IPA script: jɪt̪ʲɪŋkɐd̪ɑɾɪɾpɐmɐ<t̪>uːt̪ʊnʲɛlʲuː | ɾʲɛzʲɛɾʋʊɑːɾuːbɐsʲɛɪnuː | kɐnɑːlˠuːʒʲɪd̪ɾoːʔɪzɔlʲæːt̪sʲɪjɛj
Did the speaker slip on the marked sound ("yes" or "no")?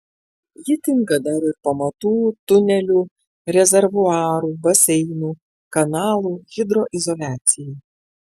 no